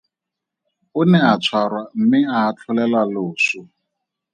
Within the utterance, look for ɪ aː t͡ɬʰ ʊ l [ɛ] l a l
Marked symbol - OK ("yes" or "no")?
yes